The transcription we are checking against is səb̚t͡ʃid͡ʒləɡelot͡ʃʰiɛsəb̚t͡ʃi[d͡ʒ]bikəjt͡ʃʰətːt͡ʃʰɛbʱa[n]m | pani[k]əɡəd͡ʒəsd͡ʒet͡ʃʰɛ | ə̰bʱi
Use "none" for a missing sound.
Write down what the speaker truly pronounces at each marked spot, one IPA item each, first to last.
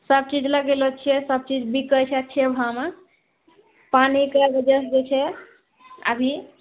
d͡ʒ, none, k

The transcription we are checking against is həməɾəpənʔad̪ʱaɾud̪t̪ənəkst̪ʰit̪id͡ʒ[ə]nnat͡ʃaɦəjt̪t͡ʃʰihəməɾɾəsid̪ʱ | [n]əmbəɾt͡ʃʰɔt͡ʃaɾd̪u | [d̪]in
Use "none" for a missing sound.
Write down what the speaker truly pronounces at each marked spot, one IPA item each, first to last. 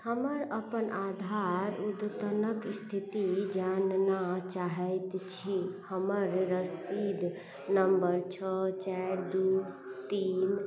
a, n, t̪

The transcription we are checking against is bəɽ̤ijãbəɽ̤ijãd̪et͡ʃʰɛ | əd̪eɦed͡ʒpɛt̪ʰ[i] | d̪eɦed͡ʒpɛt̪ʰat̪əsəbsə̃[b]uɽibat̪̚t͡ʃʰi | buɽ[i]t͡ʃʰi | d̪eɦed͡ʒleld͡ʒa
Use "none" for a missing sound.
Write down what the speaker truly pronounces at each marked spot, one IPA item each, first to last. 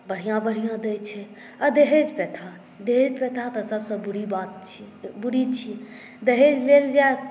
a, b, i

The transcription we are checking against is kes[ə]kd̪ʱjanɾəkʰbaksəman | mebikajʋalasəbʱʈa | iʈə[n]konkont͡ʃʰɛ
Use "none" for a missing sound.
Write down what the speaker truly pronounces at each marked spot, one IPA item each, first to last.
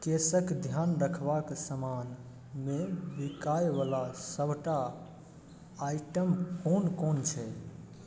ə, m

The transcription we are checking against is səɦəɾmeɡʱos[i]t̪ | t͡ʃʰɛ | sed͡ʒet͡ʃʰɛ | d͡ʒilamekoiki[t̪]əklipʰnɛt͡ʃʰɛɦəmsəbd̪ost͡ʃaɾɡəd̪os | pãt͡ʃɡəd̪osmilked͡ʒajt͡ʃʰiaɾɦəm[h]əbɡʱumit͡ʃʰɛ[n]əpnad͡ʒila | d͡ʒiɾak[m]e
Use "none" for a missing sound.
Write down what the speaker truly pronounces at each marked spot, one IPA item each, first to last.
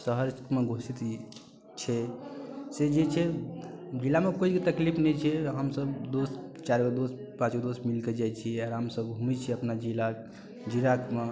i, t̪, s, none, m

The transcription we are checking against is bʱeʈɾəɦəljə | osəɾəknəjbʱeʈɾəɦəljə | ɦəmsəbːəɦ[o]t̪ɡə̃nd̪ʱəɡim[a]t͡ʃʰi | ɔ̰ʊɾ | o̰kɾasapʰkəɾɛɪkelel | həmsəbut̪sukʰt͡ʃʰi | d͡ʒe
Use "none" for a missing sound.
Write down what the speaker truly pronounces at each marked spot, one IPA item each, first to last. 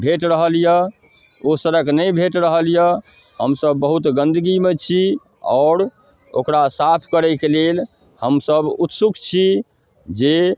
u, e

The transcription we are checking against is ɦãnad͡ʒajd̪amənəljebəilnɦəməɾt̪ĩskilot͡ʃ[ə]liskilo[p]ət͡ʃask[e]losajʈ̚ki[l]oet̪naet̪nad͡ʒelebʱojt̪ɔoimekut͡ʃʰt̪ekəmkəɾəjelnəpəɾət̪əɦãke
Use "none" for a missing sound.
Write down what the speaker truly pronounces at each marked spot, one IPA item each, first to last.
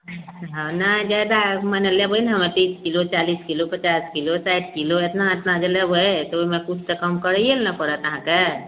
a, p, i, l

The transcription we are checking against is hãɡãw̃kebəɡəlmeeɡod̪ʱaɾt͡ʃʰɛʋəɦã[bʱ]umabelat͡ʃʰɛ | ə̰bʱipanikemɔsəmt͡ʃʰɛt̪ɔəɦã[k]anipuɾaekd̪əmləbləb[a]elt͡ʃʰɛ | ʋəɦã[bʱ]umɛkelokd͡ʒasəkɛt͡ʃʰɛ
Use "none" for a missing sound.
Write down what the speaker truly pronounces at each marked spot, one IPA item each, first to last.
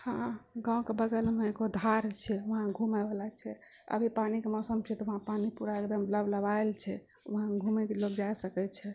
ɡʱ, p, a, ɡʱ

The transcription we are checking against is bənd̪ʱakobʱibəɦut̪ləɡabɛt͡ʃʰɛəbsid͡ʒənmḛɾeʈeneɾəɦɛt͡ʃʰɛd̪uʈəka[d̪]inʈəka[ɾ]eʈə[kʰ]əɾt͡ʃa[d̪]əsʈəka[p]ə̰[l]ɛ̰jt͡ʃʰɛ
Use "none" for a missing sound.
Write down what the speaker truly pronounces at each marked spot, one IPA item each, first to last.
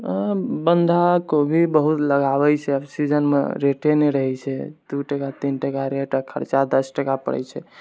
t̪, ɾ, kʰ, d̪, p, ɽ

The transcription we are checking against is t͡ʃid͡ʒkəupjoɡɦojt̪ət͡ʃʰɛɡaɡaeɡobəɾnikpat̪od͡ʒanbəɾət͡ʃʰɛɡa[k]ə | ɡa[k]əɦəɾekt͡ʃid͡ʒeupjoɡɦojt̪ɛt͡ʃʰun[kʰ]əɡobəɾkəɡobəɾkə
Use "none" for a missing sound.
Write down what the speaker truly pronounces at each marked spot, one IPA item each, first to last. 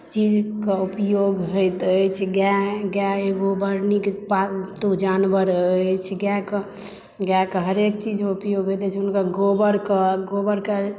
k, k, k

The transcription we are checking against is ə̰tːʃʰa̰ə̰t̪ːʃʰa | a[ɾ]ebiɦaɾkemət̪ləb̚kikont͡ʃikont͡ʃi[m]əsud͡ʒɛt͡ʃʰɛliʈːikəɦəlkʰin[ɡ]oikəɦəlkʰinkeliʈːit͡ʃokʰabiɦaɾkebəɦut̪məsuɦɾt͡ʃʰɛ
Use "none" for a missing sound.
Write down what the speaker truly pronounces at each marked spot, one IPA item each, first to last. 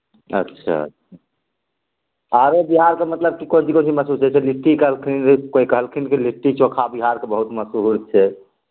ɾ, m, k

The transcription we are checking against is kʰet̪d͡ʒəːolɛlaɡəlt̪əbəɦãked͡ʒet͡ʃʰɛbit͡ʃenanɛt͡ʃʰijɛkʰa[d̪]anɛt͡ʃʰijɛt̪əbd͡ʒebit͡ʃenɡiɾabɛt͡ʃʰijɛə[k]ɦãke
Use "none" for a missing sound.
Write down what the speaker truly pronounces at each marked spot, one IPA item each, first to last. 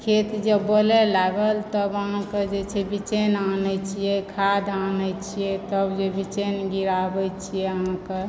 d̪, none

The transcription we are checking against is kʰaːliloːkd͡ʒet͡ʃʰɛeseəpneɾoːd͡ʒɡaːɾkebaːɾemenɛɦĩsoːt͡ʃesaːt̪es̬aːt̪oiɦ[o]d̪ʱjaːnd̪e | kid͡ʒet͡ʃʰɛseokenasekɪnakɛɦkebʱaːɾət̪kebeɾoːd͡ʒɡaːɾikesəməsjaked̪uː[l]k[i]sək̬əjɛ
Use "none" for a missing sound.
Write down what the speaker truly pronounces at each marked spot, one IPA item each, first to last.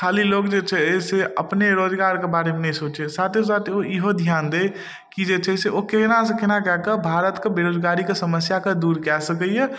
o, ɾ, ɛ

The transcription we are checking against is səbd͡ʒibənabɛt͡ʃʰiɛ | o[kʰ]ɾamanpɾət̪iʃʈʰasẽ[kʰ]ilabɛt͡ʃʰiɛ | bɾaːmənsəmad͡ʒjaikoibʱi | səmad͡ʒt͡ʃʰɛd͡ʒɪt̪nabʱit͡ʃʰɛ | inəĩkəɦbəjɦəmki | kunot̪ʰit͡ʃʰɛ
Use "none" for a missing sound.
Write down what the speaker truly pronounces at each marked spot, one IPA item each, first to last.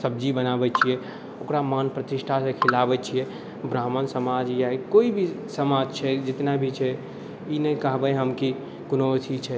k, kʰ

